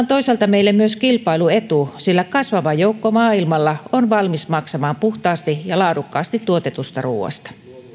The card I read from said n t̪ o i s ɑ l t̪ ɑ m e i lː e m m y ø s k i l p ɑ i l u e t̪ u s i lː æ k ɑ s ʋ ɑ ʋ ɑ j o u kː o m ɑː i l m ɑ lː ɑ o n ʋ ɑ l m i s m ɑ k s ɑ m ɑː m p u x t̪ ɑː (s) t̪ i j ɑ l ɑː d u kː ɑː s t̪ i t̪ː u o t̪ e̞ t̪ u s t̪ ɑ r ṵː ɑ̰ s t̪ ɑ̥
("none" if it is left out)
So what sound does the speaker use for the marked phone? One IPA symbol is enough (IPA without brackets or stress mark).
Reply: s